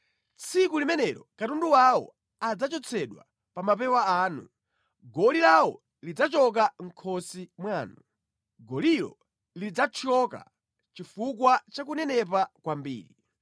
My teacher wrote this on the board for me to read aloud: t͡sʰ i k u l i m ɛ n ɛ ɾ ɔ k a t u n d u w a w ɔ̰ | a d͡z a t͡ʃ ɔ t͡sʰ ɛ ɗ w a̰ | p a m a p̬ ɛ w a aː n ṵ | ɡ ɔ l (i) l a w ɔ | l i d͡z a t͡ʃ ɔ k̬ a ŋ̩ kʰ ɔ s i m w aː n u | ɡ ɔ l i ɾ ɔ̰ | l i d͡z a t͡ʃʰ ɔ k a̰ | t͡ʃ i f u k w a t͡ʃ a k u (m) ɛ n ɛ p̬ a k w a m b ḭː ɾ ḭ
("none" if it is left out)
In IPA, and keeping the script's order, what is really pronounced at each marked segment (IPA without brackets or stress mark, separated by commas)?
i, n